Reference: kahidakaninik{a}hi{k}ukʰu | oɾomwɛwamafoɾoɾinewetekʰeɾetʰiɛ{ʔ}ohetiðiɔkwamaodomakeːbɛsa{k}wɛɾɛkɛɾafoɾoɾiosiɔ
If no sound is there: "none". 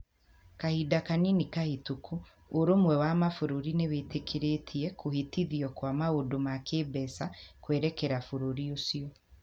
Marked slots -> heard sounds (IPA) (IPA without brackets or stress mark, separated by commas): a, t, k, k